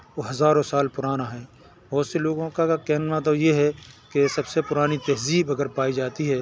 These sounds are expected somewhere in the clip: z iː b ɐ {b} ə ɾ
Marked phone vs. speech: incorrect: ɡ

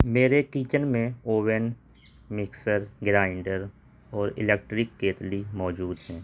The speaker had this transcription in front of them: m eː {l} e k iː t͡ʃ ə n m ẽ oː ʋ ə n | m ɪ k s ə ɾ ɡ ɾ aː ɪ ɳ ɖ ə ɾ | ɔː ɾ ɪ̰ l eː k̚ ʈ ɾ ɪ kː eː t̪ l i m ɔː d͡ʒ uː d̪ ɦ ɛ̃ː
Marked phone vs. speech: incorrect: ɾ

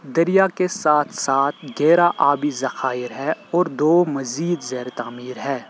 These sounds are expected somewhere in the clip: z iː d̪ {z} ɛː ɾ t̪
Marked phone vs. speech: correct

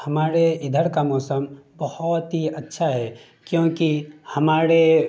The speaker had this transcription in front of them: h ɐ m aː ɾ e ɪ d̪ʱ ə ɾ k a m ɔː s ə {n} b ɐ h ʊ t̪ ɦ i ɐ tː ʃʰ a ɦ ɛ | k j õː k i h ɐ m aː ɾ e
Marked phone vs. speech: incorrect: m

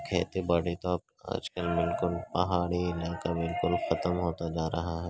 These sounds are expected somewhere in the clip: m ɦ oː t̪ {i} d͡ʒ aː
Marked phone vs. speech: incorrect: a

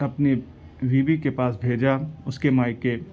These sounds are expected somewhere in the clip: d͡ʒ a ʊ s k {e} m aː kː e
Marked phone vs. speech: correct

